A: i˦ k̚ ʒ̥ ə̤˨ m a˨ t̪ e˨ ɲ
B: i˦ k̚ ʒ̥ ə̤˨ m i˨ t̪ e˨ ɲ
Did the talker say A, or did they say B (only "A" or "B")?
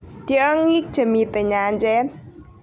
B